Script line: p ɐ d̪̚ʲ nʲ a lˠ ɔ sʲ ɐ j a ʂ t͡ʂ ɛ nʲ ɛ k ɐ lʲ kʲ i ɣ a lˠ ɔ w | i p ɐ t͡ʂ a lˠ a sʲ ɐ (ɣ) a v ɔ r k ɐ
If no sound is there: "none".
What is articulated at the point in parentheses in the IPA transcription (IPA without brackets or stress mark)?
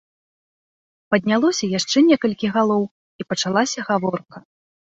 ɣ